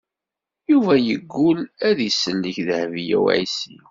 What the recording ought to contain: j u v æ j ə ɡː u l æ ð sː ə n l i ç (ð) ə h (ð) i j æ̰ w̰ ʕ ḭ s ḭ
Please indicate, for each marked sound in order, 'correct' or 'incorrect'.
correct, incorrect: v

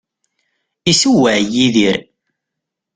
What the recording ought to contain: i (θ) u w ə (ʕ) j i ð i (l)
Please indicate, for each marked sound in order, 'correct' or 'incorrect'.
incorrect: s, correct, incorrect: ɾ

